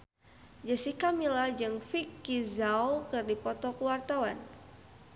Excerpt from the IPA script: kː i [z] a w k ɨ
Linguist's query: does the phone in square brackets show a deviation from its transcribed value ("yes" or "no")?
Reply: no